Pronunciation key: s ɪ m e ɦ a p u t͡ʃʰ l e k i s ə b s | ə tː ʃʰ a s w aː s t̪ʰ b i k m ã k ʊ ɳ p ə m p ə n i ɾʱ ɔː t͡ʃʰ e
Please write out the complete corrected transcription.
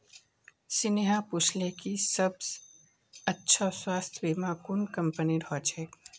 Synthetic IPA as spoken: s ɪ n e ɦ a p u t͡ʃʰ l e k i s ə b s | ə tː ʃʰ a s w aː s t̪ʰ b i m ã k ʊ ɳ k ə m p ə n i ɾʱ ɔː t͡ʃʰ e